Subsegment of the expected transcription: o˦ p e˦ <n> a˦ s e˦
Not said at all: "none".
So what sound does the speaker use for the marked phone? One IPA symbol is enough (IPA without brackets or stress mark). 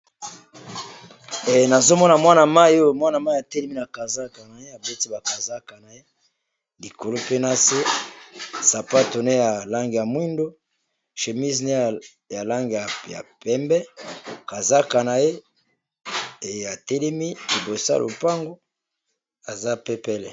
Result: n